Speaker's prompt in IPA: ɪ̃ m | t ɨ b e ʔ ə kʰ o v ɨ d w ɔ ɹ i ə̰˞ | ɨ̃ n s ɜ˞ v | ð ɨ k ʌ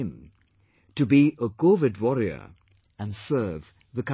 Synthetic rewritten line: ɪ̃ m | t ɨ b i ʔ ə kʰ o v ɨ d w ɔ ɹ i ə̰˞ | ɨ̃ n s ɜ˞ v | ð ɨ k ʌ